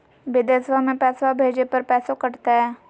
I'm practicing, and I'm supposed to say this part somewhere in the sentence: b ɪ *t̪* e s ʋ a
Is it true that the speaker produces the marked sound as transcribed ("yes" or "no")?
no